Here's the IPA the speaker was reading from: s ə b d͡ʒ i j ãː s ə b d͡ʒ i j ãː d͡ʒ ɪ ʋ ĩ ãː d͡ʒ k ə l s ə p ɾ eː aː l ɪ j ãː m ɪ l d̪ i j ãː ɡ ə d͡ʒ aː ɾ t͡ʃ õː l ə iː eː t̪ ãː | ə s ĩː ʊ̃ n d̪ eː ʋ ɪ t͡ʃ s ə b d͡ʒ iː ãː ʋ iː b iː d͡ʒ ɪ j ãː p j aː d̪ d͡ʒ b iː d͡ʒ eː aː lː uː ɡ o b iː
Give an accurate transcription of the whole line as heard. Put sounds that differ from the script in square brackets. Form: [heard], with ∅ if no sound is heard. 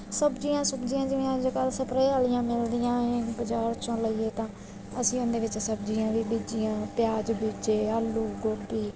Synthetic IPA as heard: s ə b d͡ʒ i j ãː s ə b d͡ʒ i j ãː d͡ʒ ɪ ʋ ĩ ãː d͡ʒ k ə l s ə p ɾ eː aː l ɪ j ãː m ɪ l d̪ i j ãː [b] ə d͡ʒ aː ɾ t͡ʃ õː l ə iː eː t̪ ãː | ə s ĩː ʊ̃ n d̪ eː ʋ ɪ t͡ʃ s ə b d͡ʒ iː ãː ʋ iː b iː d͡ʒ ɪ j ãː p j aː [∅] d͡ʒ b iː d͡ʒ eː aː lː uː ɡ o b iː